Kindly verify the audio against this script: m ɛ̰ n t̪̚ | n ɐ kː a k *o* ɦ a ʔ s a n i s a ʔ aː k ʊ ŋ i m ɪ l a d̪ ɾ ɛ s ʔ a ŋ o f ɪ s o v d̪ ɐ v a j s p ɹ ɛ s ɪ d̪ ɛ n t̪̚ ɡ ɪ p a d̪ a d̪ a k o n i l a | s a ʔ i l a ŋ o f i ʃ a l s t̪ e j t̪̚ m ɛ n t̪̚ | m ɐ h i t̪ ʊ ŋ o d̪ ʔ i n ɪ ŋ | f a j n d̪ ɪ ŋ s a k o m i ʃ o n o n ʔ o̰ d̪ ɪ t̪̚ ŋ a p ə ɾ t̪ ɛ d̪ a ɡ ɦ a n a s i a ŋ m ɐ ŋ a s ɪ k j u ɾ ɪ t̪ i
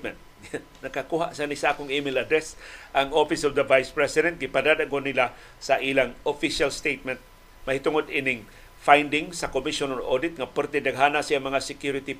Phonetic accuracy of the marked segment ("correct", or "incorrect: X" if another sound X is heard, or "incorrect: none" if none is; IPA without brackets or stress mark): incorrect: u